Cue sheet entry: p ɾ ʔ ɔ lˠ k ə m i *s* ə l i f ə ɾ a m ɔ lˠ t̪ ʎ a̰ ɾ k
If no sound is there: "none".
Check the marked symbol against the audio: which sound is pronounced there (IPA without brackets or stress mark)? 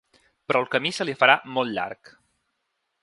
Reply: s